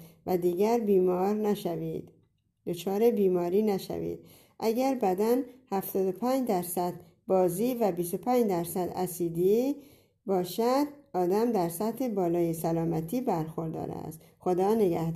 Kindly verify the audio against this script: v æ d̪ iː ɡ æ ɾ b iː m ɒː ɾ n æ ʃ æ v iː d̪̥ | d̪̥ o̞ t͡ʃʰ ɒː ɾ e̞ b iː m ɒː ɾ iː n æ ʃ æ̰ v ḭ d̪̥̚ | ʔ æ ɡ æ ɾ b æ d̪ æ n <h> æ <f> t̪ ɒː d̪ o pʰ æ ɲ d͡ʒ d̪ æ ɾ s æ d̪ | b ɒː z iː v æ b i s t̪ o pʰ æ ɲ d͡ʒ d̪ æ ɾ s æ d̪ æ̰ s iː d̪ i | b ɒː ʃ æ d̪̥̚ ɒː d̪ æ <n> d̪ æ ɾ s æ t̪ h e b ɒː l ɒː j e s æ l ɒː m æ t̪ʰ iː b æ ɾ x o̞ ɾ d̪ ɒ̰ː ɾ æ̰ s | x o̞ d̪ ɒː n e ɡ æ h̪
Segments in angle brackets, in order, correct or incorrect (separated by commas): correct, correct, incorrect